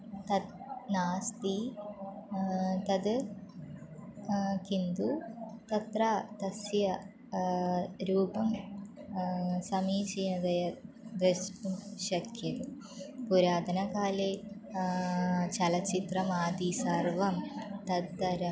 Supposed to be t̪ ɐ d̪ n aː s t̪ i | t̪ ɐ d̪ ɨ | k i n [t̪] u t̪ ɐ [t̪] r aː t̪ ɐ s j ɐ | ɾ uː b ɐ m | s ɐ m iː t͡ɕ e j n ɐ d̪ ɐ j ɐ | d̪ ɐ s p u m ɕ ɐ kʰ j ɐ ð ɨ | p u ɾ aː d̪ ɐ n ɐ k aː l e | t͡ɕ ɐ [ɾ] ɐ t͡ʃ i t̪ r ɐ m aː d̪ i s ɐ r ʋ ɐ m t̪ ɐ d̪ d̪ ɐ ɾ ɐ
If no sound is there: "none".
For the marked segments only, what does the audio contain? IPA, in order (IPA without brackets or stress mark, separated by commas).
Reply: d̪, t̪, l